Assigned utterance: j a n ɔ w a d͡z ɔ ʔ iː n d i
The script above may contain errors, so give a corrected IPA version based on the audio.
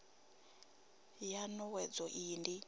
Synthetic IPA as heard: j a n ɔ w ɛ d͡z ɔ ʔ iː n d i

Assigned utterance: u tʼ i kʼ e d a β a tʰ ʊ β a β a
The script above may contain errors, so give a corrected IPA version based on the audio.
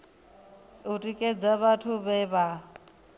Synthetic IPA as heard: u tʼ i kʼ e d͡z a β a tʰ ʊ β ɛ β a

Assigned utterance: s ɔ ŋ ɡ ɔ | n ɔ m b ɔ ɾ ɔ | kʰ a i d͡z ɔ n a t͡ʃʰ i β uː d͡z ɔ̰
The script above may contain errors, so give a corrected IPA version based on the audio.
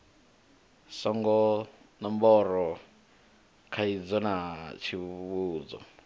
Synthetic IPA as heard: s ɔ ŋ ɡ ɔ | n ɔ m b ɔ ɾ ɔ | kʰ a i d͡z ɔ n a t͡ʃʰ i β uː d͡z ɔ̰

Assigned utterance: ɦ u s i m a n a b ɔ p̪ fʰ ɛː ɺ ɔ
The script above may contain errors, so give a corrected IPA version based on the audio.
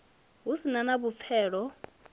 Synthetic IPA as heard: ɦ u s i n a n a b u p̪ fʰ ɛː ɺ ɔ

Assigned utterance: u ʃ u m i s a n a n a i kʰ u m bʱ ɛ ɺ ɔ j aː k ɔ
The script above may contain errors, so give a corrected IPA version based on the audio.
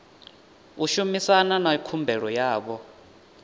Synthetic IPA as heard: u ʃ u m i s a n a n a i kʰ u m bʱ ɛ ɺ ɔ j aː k ɔ

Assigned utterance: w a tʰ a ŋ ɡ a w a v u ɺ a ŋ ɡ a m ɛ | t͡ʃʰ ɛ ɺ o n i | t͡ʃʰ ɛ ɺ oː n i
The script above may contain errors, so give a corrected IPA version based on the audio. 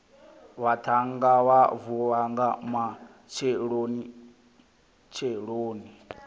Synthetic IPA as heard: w a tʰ a ŋ ɡ a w a v u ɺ a ŋ ɡ a m a | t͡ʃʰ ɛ ɺ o n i | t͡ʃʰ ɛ ɺ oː n i

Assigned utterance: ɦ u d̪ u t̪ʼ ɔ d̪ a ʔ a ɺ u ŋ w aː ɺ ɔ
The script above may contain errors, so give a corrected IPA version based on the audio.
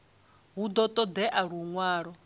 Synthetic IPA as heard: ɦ u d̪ ɔ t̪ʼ ɔ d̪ ɛ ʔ a ɺ u ŋ w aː ɺ ɔ

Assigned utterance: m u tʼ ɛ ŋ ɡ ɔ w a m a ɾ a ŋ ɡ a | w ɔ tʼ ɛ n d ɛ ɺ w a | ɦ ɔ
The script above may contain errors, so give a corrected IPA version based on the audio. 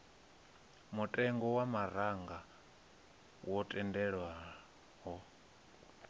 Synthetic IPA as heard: m u tʼ ɛ ŋ ɡ ɔ w a m a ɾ a ŋ ɡ a | w ɔ tʼ ɛ n d ɛ ɺ w a | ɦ ɔ

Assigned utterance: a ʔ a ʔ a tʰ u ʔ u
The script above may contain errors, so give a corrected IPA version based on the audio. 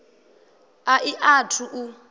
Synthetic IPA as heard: a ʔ i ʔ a tʰ u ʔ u

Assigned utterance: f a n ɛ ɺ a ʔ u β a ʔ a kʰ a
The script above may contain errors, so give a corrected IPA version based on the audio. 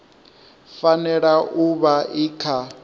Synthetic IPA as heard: f a n ɛ ɺ a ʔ u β a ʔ i kʰ a

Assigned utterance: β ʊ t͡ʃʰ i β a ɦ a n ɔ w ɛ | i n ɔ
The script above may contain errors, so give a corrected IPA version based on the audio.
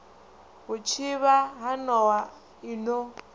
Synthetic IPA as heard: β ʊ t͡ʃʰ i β a ɦ a n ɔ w a | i n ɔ

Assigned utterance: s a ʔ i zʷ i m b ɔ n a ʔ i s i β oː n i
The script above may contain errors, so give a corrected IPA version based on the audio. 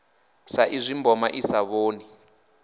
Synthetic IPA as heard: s a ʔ i zʷ i m b ɔ m a ʔ i s a β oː n i

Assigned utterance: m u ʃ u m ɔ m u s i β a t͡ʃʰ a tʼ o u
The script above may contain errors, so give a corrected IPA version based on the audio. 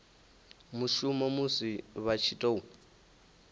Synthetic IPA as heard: m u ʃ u m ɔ m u s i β a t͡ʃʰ i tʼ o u

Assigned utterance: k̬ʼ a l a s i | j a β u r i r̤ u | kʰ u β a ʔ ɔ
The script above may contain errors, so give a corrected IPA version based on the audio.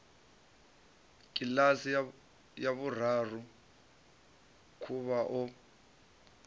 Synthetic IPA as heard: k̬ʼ i l a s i | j a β u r a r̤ u | kʰ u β a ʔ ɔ

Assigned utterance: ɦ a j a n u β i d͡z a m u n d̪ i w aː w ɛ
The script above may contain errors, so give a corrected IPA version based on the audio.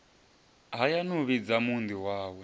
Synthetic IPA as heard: ɦ a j a n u β i d͡z a m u n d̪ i w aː w ɛ

